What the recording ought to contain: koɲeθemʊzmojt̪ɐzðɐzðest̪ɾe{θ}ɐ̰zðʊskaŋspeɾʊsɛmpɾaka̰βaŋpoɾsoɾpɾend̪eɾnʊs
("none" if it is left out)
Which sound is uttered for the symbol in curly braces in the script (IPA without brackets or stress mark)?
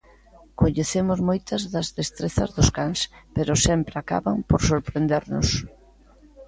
θ